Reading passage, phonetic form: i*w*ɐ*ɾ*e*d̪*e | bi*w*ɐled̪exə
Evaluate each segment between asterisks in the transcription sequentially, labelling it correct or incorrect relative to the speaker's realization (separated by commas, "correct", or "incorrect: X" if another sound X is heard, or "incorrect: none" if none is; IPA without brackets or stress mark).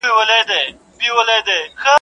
correct, incorrect: l, correct, correct